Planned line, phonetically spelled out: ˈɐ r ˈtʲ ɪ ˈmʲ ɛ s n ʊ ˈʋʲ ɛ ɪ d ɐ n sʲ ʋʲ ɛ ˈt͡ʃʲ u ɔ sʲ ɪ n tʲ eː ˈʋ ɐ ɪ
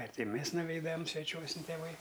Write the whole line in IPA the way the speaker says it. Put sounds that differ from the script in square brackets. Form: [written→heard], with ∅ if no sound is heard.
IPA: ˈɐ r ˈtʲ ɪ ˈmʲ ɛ s n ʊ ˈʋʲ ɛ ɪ d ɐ [n→m] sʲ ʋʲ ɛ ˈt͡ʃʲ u ɔ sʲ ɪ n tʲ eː ˈʋ ɐ ɪ